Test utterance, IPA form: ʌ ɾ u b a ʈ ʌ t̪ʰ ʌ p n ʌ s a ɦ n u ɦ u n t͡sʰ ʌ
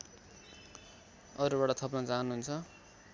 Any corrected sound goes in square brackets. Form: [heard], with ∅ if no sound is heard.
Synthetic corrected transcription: ʌ ɾ u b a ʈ ʌ t̪ʰ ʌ p n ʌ [t͡s] a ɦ n u ɦ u n t͡sʰ ʌ